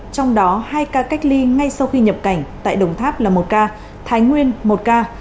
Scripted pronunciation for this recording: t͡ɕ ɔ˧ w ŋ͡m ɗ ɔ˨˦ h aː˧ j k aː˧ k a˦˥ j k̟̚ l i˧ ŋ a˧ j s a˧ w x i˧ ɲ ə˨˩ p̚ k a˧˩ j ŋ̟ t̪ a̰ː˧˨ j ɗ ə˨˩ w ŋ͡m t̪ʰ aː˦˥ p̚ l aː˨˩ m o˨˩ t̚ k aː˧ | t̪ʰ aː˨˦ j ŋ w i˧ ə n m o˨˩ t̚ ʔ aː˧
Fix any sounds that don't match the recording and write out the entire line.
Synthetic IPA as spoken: t͡ɕ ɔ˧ w ŋ͡m ɗ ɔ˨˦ h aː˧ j k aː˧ k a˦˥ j k̟̚ l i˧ ŋ a˧ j s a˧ w x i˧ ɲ ə˨˩ p̚ k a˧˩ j ŋ̟ t̪ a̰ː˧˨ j ɗ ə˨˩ w ŋ͡m t̪ʰ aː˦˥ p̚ l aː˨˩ m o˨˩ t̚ k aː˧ | t̪ʰ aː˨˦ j ŋ w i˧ ə n m o˨˩ t̚ k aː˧